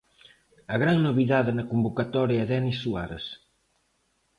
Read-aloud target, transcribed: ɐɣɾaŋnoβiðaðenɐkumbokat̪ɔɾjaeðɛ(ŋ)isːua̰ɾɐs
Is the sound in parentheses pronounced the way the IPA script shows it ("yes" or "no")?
no